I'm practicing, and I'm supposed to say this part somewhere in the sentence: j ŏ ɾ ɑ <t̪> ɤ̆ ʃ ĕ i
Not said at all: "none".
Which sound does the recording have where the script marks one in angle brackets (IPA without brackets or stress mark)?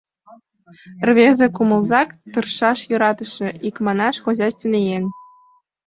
t̪